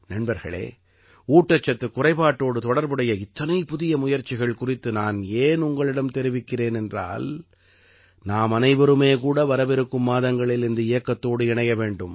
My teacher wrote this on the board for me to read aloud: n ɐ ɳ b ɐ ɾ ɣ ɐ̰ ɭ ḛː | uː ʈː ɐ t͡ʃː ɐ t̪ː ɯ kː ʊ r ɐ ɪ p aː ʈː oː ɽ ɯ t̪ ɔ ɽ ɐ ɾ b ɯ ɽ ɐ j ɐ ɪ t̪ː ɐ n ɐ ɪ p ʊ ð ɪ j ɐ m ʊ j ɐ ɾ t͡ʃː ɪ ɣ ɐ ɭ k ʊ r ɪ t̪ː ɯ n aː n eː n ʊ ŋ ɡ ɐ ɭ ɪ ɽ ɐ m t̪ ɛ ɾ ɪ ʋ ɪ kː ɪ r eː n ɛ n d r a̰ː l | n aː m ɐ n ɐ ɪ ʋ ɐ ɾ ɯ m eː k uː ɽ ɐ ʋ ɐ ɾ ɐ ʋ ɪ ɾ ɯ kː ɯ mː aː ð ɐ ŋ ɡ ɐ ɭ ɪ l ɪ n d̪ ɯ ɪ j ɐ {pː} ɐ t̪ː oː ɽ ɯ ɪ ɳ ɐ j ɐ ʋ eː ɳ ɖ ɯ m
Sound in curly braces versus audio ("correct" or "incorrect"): incorrect